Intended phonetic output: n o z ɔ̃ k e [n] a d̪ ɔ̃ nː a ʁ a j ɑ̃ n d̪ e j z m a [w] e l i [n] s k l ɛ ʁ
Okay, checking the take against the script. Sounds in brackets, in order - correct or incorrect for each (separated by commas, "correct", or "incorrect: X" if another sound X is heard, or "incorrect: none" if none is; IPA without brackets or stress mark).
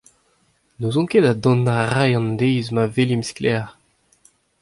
incorrect: d, incorrect: v, incorrect: m